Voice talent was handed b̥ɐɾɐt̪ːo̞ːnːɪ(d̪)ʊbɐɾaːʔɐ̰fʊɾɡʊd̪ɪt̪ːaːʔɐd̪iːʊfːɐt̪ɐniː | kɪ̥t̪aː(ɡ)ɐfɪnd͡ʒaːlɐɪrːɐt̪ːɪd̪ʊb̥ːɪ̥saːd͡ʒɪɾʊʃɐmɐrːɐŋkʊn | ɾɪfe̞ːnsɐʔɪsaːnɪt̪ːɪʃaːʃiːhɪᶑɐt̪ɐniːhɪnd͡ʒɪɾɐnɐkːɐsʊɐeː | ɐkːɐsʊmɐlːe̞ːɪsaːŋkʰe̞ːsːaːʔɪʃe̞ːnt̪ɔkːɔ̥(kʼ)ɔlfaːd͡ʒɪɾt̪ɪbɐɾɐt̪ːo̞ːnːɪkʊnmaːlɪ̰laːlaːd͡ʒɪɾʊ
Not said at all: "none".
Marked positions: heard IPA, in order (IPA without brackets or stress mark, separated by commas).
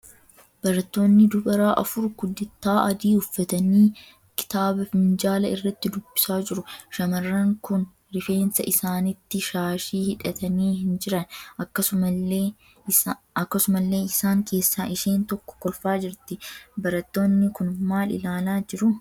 d̪, b, k